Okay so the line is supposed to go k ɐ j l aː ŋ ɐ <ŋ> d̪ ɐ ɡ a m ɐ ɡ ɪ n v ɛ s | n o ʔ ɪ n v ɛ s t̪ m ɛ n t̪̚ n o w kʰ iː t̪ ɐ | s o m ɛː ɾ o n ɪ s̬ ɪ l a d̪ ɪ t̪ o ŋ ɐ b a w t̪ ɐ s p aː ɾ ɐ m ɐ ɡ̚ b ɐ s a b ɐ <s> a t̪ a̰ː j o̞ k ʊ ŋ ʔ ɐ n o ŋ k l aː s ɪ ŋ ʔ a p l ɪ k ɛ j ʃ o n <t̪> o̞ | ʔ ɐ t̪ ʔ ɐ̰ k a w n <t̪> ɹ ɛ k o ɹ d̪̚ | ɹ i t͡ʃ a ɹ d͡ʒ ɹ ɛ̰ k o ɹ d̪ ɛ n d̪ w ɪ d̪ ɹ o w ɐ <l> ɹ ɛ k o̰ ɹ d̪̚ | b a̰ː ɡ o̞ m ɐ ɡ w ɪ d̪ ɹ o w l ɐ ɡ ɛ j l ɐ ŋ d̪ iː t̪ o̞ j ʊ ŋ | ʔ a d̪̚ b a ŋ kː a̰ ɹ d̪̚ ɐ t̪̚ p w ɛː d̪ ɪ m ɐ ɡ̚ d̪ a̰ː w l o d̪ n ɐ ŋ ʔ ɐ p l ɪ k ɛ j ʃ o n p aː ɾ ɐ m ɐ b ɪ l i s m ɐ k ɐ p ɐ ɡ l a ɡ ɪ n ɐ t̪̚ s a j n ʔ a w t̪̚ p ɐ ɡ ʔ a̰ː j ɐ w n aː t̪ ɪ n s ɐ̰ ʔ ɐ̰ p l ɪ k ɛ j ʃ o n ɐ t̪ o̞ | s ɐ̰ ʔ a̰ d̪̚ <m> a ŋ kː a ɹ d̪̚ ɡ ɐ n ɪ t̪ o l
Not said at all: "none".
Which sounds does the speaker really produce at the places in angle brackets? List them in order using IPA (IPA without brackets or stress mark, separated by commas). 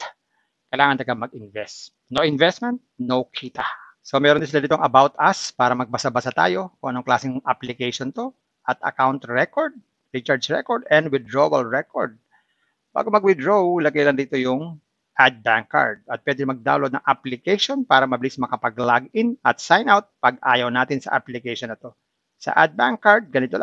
n, s, t̪, t̪, l, b